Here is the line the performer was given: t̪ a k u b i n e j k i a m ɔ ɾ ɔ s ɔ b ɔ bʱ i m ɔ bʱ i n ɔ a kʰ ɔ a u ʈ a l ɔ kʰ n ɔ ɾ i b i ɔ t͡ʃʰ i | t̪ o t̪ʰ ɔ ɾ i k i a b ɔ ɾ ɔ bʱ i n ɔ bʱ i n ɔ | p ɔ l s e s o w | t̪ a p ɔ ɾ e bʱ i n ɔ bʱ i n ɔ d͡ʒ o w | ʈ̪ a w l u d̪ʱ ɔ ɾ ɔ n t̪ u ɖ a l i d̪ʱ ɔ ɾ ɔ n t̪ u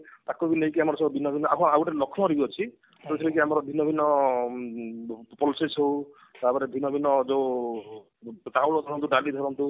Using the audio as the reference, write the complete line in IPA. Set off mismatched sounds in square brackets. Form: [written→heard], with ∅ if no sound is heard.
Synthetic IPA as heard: t̪ a k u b i n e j k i a m ɔ ɾ ɔ s ɔ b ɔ bʱ i [m→n] ɔ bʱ i n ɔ a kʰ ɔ a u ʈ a l ɔ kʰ n ɔ ɾ i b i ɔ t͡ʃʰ i | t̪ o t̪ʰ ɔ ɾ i k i a [b→m] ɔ ɾ ɔ bʱ i n ɔ bʱ i n ɔ | p ɔ l s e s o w | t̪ a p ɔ ɾ e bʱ i n ɔ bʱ i n ɔ d͡ʒ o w | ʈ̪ a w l [u→ɔ] d̪ʱ ɔ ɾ ɔ n t̪ u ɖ a l i d̪ʱ ɔ ɾ ɔ n t̪ u